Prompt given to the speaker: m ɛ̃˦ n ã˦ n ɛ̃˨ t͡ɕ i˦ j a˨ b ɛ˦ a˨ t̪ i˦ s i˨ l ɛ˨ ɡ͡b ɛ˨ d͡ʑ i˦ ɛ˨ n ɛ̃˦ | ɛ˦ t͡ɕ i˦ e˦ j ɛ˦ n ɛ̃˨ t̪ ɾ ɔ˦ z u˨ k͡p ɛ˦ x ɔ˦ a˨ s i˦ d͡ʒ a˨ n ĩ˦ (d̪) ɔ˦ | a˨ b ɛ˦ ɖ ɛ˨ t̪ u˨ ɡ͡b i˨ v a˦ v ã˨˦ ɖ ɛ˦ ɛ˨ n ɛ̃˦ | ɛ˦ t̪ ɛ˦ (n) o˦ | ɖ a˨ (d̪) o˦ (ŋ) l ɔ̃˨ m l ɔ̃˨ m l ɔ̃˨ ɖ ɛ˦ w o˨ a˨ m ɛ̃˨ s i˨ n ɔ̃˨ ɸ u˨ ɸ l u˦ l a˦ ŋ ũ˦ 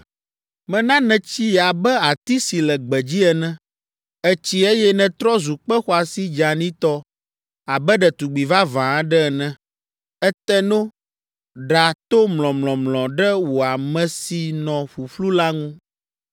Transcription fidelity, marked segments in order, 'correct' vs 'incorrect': incorrect: t̪, correct, incorrect: t̪, incorrect: m

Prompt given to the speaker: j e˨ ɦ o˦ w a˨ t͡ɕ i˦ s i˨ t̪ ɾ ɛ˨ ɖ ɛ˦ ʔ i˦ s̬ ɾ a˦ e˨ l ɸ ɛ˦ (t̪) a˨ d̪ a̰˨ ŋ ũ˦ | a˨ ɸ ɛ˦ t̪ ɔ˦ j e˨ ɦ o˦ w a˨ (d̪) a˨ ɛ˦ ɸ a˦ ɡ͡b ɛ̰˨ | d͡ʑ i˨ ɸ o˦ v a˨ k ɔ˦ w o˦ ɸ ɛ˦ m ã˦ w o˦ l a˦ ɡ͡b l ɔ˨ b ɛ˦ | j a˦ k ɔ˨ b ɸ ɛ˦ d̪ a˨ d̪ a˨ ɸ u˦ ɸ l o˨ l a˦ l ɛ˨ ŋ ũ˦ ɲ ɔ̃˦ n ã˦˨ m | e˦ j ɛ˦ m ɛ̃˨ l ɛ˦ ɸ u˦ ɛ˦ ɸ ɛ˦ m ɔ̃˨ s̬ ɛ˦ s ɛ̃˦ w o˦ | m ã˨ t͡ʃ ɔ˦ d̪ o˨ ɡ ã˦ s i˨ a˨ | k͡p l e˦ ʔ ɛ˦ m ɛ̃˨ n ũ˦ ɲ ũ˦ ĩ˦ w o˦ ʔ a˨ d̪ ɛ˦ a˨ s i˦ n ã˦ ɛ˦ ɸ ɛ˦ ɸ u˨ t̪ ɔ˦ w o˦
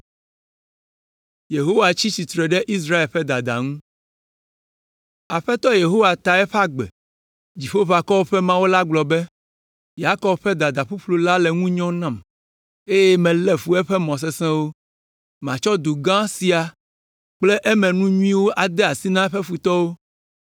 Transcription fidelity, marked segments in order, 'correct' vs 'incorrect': incorrect: d̪, incorrect: t̪

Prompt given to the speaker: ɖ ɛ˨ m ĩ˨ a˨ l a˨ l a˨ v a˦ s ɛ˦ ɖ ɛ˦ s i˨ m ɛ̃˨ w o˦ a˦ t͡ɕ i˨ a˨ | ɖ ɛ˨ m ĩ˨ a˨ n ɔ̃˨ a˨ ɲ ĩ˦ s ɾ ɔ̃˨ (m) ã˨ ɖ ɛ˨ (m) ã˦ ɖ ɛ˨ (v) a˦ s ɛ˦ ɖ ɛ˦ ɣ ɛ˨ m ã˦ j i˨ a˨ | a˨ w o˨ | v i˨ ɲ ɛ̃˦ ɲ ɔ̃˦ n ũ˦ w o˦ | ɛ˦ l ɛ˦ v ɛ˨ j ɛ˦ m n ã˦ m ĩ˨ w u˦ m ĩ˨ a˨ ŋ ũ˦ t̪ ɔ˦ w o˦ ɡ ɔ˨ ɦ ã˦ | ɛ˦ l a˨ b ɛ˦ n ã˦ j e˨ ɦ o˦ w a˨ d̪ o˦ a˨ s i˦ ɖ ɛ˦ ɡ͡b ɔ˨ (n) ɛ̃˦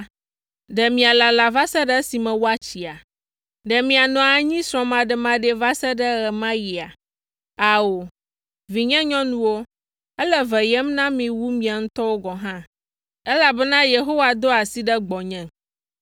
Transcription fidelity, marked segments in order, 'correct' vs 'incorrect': correct, correct, correct, incorrect: ɲ

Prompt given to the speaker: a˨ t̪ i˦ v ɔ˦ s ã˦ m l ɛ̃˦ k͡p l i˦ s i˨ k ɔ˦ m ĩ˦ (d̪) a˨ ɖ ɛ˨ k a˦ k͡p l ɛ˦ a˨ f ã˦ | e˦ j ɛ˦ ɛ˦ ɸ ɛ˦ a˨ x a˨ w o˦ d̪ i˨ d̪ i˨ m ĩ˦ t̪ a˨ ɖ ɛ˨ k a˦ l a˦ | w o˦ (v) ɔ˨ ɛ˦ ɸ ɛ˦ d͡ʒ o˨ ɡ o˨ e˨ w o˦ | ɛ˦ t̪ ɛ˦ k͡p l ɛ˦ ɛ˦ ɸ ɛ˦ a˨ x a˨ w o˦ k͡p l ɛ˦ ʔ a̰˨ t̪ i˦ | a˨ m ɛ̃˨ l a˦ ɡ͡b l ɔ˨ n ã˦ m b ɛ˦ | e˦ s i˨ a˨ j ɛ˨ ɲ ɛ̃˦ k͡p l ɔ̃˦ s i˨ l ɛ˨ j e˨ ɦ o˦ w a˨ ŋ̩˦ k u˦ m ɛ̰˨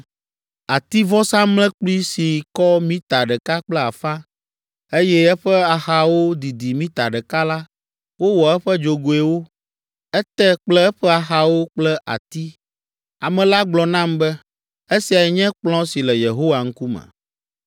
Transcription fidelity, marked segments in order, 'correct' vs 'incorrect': incorrect: t̪, incorrect: w

